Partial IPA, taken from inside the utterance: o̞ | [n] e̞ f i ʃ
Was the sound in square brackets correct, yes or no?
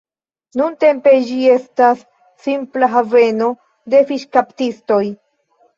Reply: no